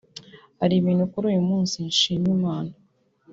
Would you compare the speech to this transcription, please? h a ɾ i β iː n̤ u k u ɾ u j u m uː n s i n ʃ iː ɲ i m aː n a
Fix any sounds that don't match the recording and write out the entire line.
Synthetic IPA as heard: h a ɾ i β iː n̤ u k u ɾ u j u m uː n s i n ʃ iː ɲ i m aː n a